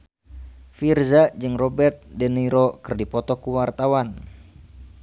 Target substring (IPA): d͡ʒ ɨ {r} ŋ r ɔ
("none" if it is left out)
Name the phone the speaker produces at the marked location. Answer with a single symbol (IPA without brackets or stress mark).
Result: none